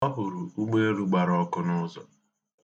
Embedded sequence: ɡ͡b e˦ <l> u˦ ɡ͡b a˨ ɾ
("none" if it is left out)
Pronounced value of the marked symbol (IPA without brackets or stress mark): ɾ